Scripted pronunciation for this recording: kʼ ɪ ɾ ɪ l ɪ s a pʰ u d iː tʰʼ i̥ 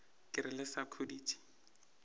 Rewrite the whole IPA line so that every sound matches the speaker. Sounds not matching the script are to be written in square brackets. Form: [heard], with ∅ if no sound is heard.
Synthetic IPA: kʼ ɪ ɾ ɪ l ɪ s a [kʰ] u d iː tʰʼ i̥